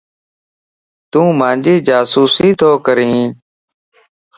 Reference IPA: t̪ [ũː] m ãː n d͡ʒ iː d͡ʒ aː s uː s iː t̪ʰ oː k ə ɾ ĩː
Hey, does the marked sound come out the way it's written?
yes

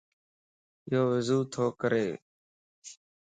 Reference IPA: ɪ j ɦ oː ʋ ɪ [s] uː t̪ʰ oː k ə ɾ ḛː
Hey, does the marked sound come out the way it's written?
no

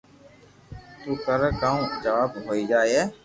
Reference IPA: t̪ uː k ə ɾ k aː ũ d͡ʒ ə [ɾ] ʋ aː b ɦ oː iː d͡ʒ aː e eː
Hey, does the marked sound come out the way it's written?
no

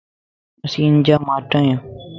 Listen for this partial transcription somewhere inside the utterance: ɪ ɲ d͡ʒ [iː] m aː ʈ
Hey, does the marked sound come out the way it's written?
no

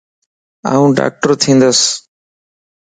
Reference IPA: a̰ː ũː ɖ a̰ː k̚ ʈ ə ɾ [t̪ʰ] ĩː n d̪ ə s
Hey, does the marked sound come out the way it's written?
yes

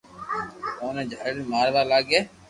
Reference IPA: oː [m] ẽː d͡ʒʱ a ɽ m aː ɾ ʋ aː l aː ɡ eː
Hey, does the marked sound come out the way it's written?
no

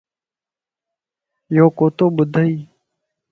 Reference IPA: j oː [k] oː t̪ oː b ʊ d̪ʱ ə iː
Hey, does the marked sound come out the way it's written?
yes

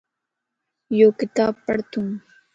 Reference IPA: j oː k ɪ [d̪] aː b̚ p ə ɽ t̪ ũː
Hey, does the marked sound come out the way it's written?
no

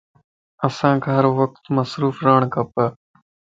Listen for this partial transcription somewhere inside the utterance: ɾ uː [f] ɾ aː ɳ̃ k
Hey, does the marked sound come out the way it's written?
yes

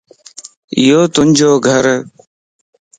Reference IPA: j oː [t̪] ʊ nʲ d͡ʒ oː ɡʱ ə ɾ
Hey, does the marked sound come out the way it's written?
yes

